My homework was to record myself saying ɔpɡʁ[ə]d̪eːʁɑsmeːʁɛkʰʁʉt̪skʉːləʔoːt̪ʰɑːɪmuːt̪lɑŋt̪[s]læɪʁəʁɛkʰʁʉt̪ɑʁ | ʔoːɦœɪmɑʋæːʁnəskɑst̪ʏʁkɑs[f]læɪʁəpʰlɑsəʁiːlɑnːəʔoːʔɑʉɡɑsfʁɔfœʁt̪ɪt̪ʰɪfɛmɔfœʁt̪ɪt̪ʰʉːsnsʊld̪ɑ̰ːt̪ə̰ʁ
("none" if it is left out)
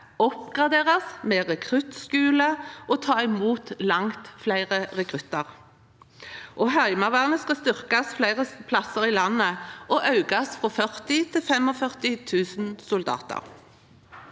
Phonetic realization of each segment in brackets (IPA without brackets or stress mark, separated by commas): ɑ, f, f